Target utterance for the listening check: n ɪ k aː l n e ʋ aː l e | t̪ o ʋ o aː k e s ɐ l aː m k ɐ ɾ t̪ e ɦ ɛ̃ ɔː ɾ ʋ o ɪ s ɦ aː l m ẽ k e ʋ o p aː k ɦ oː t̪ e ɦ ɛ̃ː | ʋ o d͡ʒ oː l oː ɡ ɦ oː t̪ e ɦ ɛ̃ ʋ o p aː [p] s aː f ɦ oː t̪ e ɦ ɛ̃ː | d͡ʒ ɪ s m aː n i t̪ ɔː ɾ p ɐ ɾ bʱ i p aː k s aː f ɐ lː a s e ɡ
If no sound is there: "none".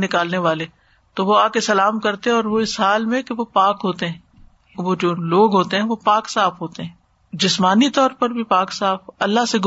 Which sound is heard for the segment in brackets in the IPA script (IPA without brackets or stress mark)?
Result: k